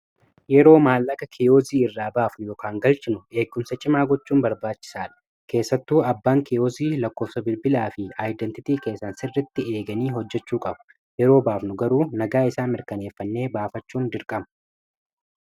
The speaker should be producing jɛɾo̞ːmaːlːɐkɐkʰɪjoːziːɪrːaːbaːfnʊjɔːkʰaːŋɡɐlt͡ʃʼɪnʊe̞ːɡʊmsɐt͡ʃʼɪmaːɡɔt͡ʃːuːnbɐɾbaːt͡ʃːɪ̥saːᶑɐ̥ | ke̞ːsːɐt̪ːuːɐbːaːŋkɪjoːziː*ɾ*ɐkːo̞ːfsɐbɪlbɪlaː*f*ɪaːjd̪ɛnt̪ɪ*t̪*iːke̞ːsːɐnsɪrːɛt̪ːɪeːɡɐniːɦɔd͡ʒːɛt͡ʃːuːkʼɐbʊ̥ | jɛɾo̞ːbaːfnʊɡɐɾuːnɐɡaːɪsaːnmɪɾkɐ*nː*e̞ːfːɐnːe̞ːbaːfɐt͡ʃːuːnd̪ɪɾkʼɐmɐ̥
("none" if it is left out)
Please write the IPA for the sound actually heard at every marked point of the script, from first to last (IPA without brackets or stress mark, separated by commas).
l, f, t̪, n